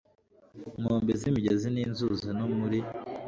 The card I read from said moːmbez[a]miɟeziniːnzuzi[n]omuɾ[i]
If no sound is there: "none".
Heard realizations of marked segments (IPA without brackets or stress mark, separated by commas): i, n, i